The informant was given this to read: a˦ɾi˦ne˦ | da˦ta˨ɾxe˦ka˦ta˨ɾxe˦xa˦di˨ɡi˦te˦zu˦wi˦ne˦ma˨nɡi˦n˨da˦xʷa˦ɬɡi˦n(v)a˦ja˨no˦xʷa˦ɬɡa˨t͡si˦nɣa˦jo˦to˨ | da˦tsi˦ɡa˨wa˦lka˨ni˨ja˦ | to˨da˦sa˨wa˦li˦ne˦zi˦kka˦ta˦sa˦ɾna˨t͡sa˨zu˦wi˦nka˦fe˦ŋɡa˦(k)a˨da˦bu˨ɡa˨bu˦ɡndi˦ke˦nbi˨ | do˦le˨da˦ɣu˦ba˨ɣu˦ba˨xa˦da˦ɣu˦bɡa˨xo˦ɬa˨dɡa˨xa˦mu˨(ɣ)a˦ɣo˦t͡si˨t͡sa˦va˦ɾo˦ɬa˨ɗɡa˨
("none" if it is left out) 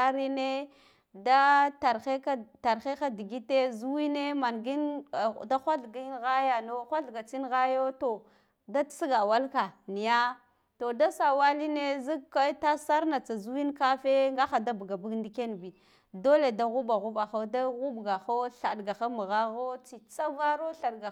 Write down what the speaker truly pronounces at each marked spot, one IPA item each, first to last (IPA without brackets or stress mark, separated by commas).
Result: ɣ, x, ɣ